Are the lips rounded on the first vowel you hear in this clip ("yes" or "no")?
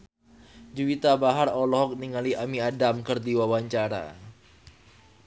yes